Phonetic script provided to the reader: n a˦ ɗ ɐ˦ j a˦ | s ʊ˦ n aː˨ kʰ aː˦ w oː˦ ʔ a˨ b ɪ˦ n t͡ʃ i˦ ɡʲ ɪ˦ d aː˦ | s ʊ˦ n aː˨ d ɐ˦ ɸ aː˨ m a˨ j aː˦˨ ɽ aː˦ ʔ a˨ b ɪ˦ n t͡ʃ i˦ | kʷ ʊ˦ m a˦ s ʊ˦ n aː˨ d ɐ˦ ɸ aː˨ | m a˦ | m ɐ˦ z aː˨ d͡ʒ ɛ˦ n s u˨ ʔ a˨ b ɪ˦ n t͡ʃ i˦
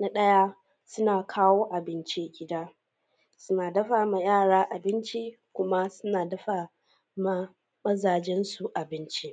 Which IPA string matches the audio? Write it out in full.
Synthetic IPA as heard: n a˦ ɗ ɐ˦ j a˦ | s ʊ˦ n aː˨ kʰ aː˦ w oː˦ ʔ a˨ b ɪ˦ n t͡ʃ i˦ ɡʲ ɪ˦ d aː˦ | s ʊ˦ n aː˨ d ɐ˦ ɸ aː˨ m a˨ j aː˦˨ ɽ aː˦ ʔ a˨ b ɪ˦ n t͡ʃ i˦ | kʷ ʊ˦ m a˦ s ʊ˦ n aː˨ d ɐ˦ ɸ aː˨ | m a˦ | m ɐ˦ z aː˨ d͡ʒ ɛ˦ n s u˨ ʔ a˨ b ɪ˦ n t͡ʃ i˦